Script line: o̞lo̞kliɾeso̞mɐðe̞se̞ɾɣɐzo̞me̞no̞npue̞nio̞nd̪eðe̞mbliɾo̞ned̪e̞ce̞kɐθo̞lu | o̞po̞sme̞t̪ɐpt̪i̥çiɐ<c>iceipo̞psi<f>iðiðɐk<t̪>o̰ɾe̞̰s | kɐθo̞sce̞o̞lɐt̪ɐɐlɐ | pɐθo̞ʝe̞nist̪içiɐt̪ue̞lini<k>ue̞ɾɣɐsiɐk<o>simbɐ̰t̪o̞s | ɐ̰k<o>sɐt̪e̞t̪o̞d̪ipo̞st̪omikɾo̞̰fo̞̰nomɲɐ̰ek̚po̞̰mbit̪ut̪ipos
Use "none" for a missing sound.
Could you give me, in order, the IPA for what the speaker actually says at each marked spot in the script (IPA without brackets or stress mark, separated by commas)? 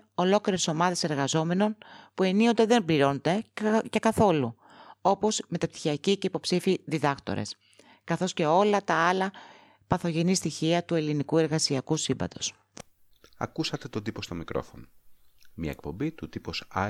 c, f, t̪, k, u, u